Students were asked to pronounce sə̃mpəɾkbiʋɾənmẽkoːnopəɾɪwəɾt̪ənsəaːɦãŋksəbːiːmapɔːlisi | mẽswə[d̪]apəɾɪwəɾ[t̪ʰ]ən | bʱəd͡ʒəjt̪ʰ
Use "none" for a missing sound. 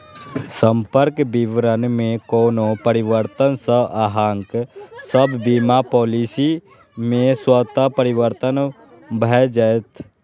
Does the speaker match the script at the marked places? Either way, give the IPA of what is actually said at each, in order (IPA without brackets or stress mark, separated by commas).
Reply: t̪, t̪